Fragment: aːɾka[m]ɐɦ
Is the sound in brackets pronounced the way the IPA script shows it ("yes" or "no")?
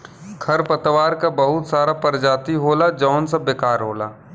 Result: no